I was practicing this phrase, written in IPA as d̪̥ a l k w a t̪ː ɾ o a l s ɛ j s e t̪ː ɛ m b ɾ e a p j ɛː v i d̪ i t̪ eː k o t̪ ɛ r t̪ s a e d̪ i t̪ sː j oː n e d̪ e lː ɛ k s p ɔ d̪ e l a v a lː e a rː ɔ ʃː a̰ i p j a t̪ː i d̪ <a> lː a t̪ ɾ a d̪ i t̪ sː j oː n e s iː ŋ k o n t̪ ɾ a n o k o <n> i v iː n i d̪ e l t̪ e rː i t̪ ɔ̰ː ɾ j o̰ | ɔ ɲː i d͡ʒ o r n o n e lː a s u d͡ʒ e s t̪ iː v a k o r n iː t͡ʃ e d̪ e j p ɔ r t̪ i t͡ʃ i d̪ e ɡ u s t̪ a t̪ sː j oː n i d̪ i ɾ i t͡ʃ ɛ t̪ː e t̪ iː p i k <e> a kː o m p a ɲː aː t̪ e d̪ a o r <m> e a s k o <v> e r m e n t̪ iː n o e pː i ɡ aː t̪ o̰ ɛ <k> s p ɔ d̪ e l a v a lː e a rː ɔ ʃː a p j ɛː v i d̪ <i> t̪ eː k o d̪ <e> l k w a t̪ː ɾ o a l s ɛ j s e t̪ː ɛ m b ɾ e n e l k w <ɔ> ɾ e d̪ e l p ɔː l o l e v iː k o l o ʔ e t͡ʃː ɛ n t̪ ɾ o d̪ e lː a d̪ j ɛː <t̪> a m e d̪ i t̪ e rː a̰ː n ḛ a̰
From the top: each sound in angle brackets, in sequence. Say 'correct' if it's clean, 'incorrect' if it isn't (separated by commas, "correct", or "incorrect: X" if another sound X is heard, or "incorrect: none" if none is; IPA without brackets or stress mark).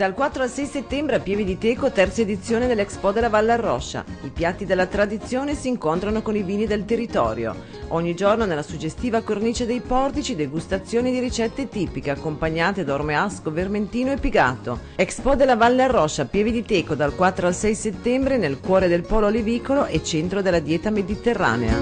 incorrect: e, correct, correct, correct, correct, correct, correct, incorrect: a, incorrect: ɔː, correct